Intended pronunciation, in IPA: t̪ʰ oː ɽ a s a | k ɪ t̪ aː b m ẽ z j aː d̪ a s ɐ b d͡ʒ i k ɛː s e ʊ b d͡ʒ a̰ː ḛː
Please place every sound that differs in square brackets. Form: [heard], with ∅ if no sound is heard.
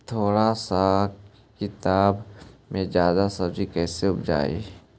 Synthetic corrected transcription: t̪ʰ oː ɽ a s a | k ɪ t̪ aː b m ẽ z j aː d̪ a s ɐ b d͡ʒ i k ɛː s e ʊ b d͡ʒ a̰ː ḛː